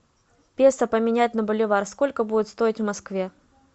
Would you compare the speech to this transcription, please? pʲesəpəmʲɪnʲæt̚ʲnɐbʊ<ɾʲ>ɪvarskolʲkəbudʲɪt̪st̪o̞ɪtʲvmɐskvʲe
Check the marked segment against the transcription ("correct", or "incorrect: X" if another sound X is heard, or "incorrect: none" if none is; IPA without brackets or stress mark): incorrect: lʲ